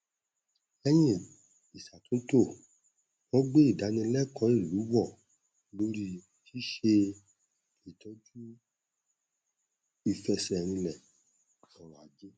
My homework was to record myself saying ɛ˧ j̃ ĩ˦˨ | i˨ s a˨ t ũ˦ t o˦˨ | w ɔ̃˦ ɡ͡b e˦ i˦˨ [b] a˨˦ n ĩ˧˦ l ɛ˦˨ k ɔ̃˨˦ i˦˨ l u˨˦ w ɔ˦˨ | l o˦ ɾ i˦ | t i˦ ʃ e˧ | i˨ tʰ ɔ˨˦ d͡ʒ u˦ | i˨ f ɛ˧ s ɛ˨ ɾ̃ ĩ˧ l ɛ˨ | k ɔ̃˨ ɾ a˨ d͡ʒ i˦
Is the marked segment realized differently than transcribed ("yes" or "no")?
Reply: yes